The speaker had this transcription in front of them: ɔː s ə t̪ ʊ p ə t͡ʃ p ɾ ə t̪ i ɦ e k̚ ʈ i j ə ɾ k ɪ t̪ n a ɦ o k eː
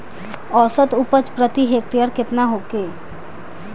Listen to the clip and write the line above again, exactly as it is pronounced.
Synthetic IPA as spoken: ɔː s ə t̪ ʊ p ə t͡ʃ p ɾ ə t̪ i ɦ e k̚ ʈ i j ə ɾ k ɪ t̪ n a ɦ o k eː